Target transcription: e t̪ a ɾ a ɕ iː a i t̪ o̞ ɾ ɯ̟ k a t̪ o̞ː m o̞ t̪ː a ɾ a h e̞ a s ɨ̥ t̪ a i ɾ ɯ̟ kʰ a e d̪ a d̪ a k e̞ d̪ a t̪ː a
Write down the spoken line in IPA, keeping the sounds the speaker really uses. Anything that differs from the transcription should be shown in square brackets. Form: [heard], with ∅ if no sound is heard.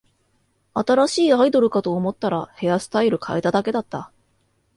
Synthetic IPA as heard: [a] t̪ a ɾ a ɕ iː a i [d̪] o̞ ɾ ɯ̟ k a t̪ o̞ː m o̞ t̪ː a ɾ a h e̞ a s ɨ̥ t̪ a i ɾ ɯ̟ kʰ a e [t̪] a d̪ a k e̞ d̪ a t̪ː a